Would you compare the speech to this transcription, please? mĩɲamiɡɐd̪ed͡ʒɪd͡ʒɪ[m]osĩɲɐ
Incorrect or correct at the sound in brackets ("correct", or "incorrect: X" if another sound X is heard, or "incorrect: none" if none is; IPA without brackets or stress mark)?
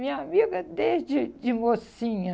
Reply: correct